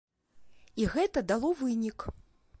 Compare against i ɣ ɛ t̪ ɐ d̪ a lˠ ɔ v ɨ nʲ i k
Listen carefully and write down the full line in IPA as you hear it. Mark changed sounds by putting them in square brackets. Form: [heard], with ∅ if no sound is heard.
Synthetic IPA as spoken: i ɣ ɛ t̪ ɐ d̪ a lˠ ɔ v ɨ nʲ i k